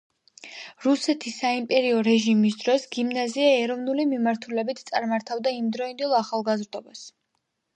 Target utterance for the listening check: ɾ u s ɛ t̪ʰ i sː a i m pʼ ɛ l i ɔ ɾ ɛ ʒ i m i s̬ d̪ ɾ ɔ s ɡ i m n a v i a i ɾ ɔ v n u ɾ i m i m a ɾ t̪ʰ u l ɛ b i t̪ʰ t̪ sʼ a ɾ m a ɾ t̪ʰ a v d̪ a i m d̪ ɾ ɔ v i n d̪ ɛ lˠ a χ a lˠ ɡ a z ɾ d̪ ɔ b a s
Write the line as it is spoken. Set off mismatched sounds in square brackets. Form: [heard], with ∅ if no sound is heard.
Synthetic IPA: ɾ u s ɛ t̪ʰ i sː a i m pʼ ɛ [ɾ] i ɔ ɾ ɛ ʒ i m i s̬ d̪ ɾ ɔ s ɡ i m n a [z] i a [ɛ] ɾ ɔ v n u [l] i m i m a ɾ t̪ʰ u l ɛ b i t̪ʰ t̪ sʼ a ɾ m a ɾ t̪ʰ a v d̪ a i m d̪ ɾ ɔ [∅] i n d̪ ɛ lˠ a χ a lˠ ɡ a z ɾ d̪ ɔ b a s